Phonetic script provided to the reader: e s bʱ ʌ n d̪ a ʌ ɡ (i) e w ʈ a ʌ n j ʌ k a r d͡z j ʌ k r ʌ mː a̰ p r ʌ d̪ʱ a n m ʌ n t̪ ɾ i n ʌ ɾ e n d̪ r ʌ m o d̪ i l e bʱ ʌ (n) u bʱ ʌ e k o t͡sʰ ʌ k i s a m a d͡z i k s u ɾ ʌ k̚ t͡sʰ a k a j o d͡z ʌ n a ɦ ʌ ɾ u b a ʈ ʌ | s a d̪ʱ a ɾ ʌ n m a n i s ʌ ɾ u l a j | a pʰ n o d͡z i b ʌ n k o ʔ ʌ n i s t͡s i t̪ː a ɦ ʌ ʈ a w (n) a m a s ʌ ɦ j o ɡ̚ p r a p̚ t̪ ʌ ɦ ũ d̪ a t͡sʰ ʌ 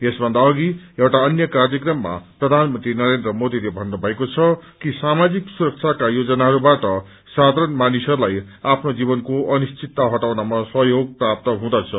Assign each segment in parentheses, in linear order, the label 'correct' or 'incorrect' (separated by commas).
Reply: correct, incorrect, correct